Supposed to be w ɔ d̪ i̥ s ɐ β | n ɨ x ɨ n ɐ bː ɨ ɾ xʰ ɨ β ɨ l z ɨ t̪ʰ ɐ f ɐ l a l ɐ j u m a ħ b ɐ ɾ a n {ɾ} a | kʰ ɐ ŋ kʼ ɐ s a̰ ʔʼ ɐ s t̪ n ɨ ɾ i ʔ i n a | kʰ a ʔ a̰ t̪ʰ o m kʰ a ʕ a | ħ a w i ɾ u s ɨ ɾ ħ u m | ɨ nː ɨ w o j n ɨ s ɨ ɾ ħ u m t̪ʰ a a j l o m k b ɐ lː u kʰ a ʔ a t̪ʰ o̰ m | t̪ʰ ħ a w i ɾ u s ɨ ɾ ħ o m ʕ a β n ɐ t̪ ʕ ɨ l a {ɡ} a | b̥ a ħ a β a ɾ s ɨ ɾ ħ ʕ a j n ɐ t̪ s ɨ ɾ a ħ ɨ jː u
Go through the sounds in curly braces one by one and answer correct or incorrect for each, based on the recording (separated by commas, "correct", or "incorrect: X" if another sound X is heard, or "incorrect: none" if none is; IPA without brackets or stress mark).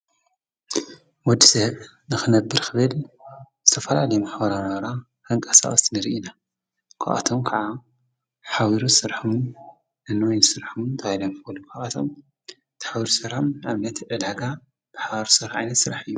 correct, correct